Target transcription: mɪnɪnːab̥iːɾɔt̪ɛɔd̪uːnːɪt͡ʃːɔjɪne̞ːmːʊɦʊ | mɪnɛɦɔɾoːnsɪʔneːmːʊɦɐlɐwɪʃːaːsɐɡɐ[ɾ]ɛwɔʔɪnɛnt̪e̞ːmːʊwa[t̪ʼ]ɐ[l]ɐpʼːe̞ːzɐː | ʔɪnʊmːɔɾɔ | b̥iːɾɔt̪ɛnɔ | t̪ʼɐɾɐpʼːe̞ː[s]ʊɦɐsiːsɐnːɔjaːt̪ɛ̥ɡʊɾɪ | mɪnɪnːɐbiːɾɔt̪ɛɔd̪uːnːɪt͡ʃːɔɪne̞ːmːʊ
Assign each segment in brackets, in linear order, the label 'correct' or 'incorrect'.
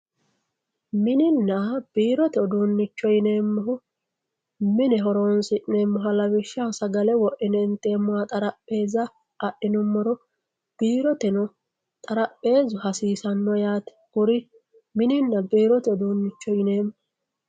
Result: incorrect: l, correct, incorrect: ɾ, incorrect: z

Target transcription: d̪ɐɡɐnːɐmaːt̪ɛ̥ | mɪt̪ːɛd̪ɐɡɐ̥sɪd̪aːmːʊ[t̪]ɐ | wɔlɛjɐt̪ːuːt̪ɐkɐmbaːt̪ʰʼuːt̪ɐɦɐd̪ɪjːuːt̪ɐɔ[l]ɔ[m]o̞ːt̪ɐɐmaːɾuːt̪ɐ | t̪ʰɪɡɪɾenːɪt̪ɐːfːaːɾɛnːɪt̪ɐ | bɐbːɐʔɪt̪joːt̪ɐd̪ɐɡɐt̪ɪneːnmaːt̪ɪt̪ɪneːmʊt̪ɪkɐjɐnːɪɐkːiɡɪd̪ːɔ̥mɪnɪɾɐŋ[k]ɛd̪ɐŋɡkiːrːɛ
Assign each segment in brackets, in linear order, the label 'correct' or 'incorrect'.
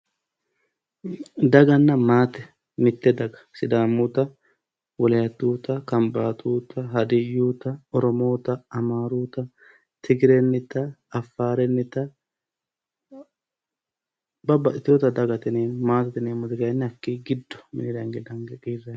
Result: correct, incorrect: ɾ, correct, incorrect: ɡ

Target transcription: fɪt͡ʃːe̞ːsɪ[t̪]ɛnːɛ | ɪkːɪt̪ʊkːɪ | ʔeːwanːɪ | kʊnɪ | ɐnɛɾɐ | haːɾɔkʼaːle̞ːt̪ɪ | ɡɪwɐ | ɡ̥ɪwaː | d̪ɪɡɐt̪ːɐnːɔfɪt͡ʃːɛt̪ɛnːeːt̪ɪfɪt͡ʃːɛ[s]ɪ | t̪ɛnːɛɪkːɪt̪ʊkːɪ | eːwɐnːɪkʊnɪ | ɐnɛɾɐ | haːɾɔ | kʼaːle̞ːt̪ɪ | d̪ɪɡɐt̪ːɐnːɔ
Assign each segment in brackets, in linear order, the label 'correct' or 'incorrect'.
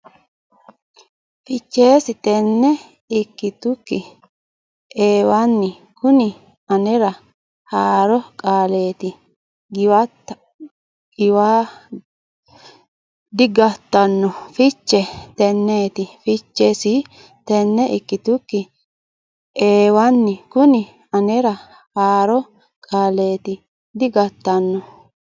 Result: correct, correct

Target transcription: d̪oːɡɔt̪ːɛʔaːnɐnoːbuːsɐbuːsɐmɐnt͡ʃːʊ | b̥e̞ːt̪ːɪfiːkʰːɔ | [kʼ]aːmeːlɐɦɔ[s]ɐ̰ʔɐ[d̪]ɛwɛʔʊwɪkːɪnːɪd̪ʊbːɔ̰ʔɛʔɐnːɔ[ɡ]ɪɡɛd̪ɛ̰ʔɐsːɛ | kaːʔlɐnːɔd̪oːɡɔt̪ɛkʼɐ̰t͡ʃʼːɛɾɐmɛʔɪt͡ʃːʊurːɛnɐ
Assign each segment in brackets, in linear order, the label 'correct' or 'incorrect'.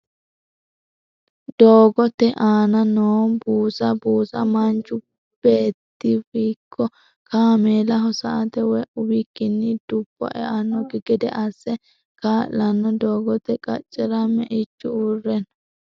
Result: incorrect: k, correct, incorrect: t̪, correct

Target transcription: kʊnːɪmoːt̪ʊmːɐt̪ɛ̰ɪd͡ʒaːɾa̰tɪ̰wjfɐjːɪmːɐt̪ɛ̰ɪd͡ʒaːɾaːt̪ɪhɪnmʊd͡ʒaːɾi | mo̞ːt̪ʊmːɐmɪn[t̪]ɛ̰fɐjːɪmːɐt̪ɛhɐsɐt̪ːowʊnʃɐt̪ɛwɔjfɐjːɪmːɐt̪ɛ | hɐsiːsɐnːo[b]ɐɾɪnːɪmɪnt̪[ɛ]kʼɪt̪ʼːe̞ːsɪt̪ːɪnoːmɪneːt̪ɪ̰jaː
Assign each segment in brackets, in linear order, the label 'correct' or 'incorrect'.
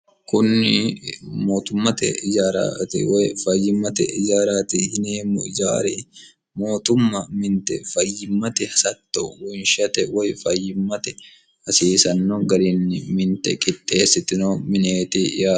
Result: correct, incorrect: ɡ, correct

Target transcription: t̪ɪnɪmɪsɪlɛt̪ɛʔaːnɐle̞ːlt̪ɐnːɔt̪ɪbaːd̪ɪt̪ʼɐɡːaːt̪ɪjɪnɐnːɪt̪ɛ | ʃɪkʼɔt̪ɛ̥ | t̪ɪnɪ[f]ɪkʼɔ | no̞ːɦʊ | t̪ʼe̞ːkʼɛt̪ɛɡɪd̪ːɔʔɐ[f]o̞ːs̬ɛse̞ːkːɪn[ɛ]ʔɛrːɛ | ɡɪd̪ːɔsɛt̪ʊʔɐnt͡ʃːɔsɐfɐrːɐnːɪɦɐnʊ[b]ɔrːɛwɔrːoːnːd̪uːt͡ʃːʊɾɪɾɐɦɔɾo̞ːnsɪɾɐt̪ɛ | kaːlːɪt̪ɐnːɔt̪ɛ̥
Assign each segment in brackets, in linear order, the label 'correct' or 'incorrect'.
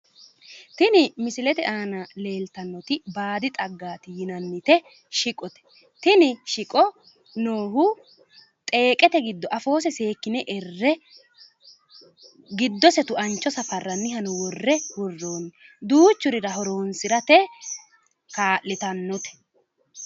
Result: incorrect: ʃ, correct, correct, incorrect: w

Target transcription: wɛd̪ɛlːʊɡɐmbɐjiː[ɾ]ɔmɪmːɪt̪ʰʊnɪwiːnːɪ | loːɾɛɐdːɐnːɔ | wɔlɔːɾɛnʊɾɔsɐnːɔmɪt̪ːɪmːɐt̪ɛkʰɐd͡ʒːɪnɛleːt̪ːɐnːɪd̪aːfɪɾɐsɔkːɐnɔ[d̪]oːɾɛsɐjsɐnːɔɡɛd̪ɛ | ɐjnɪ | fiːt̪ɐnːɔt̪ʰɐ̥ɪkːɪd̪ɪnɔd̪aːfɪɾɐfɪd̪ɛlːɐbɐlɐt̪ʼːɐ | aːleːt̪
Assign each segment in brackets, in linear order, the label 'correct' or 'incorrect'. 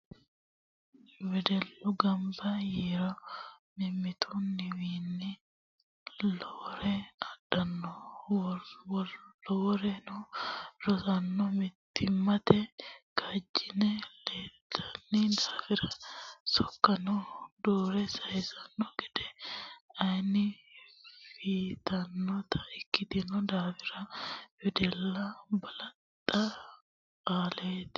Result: correct, correct

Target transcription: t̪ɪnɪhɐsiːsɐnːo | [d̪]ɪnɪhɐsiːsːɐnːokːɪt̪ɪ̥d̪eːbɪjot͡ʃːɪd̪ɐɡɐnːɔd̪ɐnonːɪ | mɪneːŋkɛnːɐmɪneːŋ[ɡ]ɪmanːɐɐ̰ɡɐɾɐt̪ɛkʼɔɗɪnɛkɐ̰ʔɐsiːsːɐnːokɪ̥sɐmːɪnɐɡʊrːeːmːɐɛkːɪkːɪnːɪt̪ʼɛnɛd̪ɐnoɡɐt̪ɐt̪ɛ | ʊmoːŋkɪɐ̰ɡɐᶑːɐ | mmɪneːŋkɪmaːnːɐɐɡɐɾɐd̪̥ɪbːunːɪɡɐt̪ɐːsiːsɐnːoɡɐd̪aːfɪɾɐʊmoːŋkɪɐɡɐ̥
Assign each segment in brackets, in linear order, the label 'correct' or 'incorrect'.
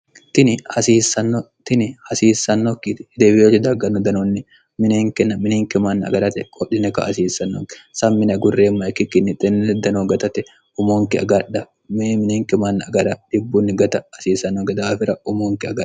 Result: incorrect: t̪, incorrect: k

